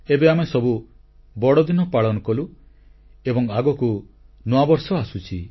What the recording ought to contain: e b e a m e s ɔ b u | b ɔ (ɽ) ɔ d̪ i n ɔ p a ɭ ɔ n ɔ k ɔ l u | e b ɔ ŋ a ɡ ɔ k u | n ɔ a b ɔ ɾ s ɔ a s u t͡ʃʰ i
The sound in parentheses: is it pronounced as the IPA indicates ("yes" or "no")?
yes